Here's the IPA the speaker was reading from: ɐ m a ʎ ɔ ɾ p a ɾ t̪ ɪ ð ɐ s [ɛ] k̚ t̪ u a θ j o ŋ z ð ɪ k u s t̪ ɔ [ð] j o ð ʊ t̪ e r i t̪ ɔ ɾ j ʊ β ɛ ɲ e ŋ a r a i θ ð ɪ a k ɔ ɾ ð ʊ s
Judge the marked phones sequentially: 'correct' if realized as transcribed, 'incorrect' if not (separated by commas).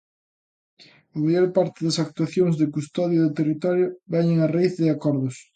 incorrect, correct